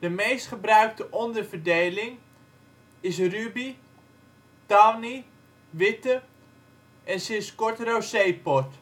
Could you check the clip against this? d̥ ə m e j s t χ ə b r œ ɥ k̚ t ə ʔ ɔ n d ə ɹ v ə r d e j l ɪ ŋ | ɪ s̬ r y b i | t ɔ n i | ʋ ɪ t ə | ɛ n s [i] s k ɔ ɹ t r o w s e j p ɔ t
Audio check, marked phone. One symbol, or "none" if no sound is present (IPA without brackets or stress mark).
ɪ